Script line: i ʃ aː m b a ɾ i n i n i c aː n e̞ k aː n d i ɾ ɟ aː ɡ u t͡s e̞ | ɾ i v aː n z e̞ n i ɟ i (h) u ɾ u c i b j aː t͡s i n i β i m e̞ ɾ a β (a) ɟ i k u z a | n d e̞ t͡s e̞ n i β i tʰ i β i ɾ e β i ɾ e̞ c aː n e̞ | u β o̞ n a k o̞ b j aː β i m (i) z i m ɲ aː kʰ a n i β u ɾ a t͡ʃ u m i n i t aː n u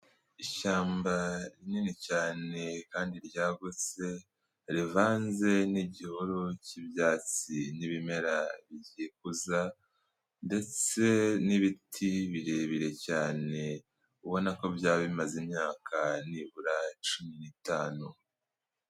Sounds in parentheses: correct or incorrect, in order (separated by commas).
correct, incorrect, incorrect